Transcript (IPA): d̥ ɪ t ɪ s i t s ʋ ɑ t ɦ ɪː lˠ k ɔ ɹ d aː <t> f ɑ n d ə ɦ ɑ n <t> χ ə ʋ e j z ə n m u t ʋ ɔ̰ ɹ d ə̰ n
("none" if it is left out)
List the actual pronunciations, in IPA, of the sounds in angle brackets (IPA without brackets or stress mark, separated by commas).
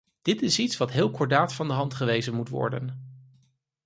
t, t